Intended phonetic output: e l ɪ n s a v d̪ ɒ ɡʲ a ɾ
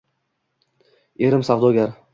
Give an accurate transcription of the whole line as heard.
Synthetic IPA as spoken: e ɾ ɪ m s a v d̪ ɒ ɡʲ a ɾ